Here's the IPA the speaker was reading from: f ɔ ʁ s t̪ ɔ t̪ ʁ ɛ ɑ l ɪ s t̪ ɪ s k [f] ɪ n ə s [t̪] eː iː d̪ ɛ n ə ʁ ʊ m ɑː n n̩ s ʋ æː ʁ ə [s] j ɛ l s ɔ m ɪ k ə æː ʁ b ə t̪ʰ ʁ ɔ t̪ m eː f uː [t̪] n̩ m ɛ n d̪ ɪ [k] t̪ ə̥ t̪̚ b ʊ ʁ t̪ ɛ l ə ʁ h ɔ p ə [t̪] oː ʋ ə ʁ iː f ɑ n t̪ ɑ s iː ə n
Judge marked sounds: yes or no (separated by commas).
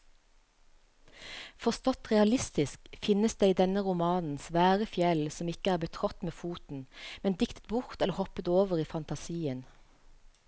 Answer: yes, no, no, yes, yes, yes